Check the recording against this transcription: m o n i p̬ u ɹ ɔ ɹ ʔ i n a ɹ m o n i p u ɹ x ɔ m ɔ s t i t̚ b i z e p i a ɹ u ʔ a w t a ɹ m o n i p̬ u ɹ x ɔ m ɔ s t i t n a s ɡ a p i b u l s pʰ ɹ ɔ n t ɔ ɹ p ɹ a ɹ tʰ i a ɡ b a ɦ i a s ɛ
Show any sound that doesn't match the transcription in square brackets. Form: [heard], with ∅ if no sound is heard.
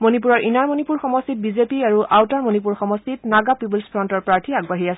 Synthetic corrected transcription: m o n i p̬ u ɹ ɔ ɹ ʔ i n a ɹ m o n i p u ɹ x ɔ m ɔ s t i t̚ b i z e p i a ɹ u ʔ a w t a ɹ m o n i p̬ u ɹ x ɔ m ɔ s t i t n a [∅] ɡ a p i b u l s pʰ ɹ ɔ n t ɔ ɹ p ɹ a ɹ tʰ i a ɡ b a ɦ i a s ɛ